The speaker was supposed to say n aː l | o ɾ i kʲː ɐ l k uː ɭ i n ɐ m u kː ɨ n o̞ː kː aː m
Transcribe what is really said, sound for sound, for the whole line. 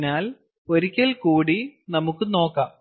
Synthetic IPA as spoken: n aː l | o ɾ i kʲː ɐ l k uː ɽ i n ɐ m u kː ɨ n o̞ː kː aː m